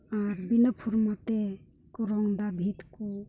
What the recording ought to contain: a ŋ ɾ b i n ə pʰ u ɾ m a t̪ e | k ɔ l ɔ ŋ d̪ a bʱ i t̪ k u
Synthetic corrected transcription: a ɾ b i n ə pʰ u ɾ m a t̪ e | k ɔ ɾ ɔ ŋ d̪ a bʱ i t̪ k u